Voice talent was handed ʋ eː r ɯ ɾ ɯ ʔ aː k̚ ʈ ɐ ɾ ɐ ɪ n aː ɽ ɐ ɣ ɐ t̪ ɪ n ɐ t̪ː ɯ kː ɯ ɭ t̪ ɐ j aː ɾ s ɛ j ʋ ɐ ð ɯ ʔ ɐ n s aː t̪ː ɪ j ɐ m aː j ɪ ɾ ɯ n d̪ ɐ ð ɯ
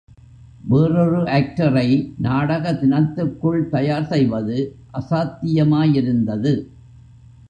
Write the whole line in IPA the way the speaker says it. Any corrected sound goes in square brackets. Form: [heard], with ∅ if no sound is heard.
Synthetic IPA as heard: ʋ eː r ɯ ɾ ɯ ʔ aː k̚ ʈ ɐ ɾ ɐ ɪ n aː ɽ ɐ ɣ ɐ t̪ ɪ n ɐ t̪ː ɯ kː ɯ ɭ t̪ ɐ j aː ɾ s ɛ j ʋ ɐ ð ɯ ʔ ɐ [∅] s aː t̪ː ɪ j ɐ m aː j ɪ ɾ ɯ n d̪ ɐ ð ɯ